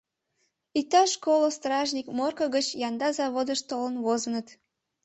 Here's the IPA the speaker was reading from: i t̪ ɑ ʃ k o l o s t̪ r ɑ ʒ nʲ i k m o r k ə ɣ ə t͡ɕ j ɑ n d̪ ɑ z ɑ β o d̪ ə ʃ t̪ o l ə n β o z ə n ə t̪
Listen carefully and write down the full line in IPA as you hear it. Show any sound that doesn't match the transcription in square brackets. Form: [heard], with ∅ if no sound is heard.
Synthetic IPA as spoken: i t̪ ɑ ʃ k o l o s t̪ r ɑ ʒ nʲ i k m o r k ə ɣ ə t͡ɕ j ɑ n d̪ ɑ z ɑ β o d̪ ə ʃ t̪ o l ə n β o z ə n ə t̪